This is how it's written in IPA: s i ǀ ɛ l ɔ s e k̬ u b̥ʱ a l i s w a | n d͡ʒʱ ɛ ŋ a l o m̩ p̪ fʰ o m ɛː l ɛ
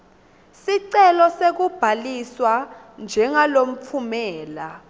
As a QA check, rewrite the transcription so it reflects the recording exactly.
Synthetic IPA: s i ǀ ɛ l ɔ s e k̬ u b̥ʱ a l i s w a | n d͡ʒʱ ɛ ŋ a l o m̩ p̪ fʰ u m ɛː l a